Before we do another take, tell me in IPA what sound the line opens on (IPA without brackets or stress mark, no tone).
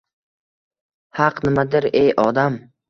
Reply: h